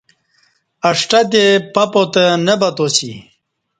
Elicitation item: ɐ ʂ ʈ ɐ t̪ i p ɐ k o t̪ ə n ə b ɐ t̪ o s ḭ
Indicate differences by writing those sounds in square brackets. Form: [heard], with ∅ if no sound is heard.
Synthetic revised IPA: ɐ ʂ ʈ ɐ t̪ [e] p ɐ [p] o t̪ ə n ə b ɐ t̪ o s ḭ